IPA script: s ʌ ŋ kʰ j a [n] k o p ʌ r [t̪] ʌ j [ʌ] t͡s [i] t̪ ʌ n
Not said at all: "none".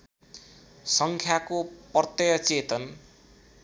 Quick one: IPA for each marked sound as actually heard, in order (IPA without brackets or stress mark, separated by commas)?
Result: none, t̪, ʌ, e